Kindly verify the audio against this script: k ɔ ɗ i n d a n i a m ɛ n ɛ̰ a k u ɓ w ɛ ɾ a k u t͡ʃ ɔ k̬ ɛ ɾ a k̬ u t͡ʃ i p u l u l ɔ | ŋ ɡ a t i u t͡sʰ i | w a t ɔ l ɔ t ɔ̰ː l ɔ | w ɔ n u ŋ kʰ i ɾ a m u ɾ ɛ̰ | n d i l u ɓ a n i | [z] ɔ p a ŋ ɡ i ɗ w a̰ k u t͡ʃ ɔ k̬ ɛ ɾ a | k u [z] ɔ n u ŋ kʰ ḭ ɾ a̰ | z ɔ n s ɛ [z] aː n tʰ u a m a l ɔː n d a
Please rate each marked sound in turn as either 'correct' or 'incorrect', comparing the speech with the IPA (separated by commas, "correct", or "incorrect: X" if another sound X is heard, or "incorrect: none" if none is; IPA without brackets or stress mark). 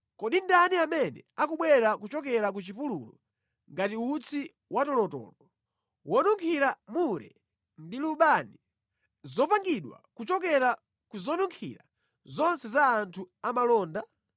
correct, correct, correct